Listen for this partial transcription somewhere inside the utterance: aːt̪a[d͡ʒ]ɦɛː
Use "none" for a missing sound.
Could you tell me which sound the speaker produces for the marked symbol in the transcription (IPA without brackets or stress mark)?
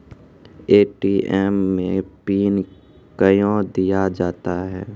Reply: none